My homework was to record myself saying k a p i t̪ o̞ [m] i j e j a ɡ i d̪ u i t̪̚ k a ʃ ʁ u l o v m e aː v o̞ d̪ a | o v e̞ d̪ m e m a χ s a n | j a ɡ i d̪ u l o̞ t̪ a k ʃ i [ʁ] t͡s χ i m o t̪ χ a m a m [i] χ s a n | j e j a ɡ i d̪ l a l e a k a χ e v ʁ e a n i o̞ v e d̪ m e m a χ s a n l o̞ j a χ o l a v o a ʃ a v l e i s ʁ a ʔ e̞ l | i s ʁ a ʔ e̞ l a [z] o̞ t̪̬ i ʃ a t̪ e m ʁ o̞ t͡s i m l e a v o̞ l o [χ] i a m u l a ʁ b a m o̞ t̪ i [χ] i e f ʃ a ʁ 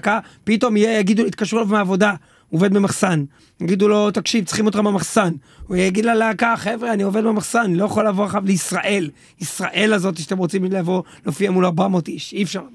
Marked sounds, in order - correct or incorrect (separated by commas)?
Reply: correct, incorrect, incorrect, correct, incorrect, incorrect